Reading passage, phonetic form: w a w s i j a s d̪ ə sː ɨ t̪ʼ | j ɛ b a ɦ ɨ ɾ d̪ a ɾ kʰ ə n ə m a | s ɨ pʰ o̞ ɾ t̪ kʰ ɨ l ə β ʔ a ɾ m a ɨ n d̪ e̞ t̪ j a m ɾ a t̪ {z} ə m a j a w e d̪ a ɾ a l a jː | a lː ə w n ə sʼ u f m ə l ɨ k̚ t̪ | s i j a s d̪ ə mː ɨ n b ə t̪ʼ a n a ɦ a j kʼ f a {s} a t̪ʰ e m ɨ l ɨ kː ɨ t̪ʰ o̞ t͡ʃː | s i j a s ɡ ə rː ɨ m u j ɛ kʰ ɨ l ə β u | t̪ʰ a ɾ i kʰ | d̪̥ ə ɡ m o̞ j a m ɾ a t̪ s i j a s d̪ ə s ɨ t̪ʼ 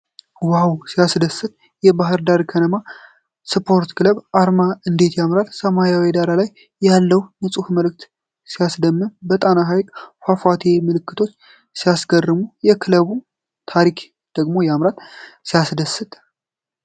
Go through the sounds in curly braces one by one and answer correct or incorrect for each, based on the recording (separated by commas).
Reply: incorrect, incorrect